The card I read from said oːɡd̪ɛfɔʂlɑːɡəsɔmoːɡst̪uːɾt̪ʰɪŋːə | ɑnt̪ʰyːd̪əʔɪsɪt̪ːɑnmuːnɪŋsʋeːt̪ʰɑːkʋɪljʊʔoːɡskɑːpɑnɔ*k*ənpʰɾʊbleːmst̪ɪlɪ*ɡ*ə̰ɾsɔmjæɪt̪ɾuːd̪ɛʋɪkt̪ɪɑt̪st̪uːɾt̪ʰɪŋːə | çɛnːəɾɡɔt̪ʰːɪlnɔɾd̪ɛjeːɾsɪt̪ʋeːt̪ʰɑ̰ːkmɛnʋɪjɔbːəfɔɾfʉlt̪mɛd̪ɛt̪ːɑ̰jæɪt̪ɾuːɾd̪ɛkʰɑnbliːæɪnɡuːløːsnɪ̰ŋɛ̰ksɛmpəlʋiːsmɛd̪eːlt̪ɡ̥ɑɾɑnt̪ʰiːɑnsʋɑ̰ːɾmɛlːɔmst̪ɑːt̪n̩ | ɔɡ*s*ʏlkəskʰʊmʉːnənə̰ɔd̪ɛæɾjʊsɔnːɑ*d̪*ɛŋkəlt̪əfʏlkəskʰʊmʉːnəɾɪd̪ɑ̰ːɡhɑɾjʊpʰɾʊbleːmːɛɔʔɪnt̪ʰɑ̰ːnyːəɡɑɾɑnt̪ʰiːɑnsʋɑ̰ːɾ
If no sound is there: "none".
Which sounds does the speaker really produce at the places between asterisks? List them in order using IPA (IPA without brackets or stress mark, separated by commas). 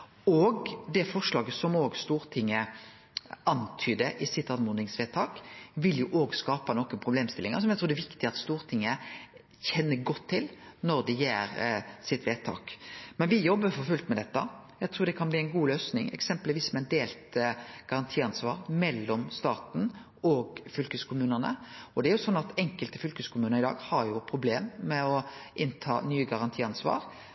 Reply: k, ŋ, f, t̪